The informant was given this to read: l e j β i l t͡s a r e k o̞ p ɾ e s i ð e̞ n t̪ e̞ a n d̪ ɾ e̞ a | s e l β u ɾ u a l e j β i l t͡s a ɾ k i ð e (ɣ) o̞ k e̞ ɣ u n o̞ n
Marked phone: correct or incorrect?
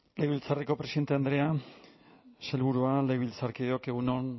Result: incorrect